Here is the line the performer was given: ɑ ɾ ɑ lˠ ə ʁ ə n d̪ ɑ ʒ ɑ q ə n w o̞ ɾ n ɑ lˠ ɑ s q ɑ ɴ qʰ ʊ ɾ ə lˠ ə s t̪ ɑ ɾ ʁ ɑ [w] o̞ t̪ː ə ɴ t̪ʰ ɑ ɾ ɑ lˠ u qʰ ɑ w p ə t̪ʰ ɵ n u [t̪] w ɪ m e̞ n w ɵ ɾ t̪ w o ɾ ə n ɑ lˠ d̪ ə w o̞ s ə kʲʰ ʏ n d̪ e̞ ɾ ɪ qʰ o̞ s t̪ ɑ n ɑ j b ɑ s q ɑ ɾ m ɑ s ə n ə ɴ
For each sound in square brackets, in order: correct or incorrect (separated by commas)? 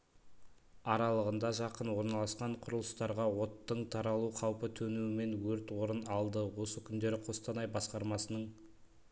correct, incorrect